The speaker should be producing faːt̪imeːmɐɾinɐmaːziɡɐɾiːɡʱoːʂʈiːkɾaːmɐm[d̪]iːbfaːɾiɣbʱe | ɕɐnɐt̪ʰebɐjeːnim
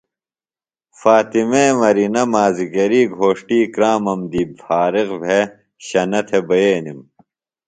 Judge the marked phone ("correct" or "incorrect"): correct